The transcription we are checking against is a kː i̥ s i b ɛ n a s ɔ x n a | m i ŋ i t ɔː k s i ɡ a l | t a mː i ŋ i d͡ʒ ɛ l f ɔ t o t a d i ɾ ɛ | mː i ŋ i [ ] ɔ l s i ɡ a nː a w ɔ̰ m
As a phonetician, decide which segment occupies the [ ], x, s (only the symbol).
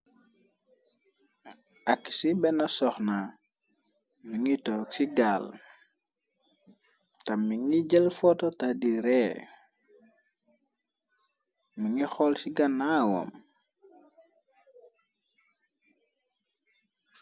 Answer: x